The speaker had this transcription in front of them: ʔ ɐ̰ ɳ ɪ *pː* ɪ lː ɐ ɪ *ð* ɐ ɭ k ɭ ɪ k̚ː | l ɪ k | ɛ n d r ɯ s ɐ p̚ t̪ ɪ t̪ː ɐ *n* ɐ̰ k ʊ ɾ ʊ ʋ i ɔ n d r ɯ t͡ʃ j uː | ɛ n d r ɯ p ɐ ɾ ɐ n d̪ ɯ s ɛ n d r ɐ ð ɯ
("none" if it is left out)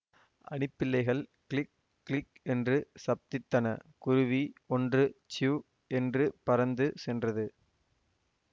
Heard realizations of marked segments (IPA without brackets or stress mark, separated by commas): pː, ɣ, n